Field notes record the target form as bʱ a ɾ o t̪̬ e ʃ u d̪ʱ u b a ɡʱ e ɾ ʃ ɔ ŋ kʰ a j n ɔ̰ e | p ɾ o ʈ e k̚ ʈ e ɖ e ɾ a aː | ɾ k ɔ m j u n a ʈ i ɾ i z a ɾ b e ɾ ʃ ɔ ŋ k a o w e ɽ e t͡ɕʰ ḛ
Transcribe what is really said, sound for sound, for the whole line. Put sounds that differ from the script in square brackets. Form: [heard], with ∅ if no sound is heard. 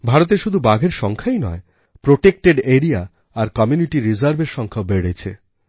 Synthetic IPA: bʱ a ɾ o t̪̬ e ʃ u d̪ʱ u b a ɡʱ e ɾ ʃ ɔ ŋ kʰ a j n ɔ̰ e | p ɾ o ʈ e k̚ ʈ e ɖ e ɾ [i] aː | ɾ k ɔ m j u n [i] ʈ i ɾ i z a ɾ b e ɾ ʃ ɔ ŋ [kʰ] a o [b] e ɽ e t͡ɕʰ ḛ